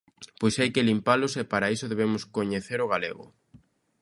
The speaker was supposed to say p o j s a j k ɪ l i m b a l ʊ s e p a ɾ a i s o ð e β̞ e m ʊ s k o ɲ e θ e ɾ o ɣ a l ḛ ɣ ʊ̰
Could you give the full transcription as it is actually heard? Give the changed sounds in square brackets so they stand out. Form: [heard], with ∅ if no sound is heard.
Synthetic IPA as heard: p o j s a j k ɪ l i m [p] a l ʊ s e p a ɾ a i s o ð e β̞ e m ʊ s k o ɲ e θ e ɾ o ɣ a l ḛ ɣ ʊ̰